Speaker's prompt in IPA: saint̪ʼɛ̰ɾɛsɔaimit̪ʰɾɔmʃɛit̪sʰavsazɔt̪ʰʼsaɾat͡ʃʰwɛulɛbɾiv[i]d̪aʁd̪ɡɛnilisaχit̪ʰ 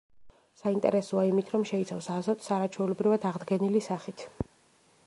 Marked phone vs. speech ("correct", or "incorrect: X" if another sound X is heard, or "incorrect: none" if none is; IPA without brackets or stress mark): incorrect: a